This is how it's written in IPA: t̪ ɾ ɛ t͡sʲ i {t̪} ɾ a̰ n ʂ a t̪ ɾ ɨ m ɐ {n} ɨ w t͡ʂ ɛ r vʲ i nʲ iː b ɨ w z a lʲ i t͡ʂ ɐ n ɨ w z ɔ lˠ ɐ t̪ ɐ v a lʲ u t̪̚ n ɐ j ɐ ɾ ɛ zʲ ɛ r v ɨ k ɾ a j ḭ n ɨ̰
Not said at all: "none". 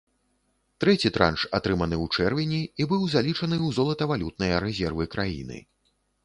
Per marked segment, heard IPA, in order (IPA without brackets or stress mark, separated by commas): t̪, n